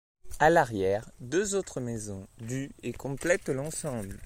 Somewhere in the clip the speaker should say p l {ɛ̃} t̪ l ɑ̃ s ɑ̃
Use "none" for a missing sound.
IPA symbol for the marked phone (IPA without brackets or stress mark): ɛ